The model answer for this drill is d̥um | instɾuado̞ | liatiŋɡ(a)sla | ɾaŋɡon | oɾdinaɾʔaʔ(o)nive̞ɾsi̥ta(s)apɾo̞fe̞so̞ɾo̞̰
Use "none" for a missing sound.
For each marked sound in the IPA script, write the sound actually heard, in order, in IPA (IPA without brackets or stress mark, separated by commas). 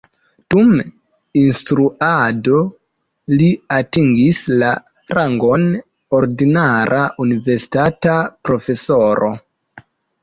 i, u, t